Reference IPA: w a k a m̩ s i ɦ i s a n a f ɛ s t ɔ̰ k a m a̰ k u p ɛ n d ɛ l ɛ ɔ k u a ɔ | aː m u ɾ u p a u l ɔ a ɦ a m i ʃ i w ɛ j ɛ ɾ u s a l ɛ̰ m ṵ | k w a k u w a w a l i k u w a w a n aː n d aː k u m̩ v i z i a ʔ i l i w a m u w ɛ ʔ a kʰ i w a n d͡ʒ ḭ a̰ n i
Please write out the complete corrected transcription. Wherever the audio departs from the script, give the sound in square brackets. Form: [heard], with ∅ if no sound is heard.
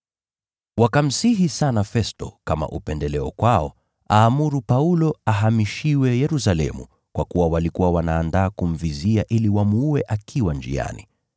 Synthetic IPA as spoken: w a k a m̩ s i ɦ i s a n a f ɛ s t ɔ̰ k a m a̰ [ʔ] u p ɛ n d ɛ l ɛ ɔ k [w] a ɔ | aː m u ɾ u p a u l ɔ a ɦ a m i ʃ i w ɛ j ɛ ɾ u s a l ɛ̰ m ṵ | k w a k u w a w a l i k u w a w a n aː n d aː k u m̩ v i z i a ʔ i l i w a m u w ɛ ʔ a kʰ i w a n d͡ʒ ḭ a̰ n i